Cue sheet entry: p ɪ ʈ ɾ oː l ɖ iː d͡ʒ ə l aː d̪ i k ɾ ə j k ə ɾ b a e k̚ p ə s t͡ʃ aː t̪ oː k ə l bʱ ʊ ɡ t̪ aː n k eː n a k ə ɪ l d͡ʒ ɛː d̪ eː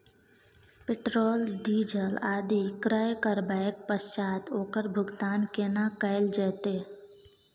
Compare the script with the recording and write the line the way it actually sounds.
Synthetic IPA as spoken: p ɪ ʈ ɾ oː l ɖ iː d͡ʒ ə l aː d̪ i k ɾ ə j k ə ɾ b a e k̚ p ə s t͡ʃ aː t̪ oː k ə ɾ bʱ ʊ ɡ t̪ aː n k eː n a k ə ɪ l d͡ʒ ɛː t̪ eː